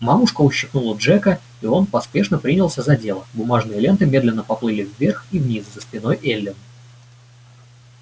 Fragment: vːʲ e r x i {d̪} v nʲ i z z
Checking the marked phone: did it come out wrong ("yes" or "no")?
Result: yes